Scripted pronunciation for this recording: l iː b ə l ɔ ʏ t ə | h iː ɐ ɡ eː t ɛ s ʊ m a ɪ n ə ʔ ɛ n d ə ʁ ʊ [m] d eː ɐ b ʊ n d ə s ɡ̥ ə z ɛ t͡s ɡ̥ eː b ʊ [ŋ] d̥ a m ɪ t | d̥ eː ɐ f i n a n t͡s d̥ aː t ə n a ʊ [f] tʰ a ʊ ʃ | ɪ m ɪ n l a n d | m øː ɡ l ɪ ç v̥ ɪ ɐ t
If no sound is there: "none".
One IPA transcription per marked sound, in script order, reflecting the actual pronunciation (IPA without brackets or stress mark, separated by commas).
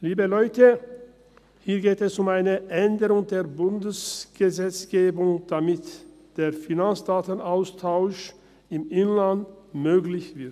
ŋ, ŋ, s